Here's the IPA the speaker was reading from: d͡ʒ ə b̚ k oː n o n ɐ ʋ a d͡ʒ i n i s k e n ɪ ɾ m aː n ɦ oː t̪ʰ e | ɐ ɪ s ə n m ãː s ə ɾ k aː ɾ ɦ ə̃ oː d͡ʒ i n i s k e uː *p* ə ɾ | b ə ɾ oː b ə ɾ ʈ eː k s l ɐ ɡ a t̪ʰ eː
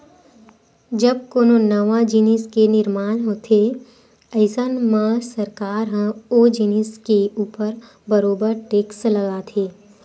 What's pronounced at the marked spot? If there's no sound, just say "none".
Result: p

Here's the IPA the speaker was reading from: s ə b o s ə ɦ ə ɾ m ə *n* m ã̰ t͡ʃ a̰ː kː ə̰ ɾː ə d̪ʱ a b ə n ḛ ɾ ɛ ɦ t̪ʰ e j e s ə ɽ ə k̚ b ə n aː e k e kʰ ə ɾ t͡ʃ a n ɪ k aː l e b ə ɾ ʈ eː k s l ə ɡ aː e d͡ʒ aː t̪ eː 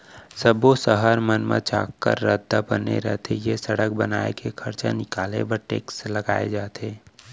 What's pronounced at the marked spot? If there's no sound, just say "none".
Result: n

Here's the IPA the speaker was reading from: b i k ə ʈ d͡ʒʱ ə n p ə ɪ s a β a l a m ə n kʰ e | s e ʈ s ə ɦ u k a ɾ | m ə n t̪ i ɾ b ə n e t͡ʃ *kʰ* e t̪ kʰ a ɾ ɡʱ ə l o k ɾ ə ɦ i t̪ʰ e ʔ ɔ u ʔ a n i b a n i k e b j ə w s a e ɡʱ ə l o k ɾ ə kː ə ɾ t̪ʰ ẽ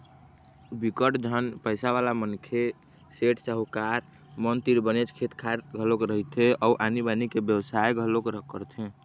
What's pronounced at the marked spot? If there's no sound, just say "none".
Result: kʰ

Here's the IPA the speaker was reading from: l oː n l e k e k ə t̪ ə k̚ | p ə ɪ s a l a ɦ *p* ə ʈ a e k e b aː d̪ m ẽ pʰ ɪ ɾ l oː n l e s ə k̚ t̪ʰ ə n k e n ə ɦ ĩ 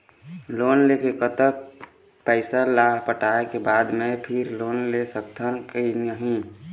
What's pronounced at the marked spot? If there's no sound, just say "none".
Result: p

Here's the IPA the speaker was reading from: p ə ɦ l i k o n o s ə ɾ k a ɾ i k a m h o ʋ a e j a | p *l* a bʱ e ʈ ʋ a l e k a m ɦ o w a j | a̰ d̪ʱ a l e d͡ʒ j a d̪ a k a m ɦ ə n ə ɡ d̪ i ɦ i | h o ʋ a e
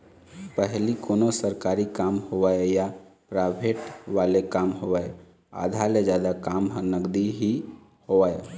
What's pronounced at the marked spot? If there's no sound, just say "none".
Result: ɾ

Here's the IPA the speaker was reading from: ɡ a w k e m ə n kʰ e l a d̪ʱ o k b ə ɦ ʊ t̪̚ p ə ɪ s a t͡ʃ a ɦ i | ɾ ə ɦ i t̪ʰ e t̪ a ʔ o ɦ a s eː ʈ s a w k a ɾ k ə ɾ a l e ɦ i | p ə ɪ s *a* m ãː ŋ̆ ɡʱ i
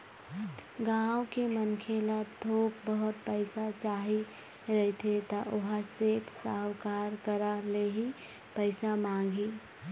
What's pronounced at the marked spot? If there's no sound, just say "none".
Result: a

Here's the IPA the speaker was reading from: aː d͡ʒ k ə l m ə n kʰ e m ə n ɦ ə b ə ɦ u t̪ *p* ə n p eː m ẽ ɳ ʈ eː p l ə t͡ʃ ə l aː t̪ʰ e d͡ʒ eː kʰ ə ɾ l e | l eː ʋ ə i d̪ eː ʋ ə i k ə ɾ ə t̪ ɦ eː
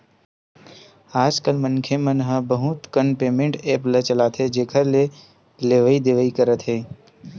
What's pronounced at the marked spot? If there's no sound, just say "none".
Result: k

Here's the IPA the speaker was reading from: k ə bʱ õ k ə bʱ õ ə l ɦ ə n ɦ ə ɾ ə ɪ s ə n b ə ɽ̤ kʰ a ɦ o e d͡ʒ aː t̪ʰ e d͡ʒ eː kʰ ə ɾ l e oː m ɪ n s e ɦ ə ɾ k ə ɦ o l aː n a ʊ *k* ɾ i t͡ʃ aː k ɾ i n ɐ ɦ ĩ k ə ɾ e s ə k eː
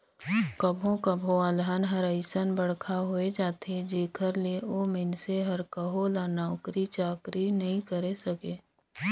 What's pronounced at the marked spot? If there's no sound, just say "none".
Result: k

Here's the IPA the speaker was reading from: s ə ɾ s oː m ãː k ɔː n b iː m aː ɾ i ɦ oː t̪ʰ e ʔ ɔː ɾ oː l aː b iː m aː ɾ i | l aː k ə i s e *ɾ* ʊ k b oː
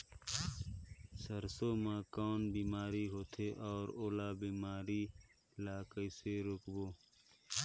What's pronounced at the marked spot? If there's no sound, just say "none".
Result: ɾ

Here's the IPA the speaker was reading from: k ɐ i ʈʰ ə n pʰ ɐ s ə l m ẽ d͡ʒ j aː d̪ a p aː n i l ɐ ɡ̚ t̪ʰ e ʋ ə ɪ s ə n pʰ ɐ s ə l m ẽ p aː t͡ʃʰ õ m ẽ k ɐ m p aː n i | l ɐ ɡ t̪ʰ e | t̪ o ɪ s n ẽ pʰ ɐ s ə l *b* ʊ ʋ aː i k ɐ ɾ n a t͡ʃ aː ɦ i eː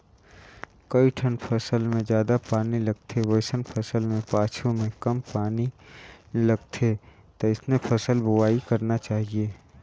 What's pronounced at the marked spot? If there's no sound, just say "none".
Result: b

